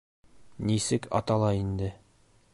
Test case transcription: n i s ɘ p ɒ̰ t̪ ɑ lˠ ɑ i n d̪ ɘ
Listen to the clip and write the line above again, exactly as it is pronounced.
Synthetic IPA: n i s ɘ k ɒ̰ t̪ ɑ lˠ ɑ i n d̪ ɘ